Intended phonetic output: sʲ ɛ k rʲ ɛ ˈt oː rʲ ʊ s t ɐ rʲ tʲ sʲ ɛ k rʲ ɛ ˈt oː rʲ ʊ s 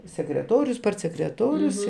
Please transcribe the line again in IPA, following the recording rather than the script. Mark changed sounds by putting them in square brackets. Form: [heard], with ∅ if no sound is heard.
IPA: sʲ ɛ k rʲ ɛ ˈt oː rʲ ʊ s [p] ɐ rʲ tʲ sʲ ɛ k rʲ ɛ ˈt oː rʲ ʊ s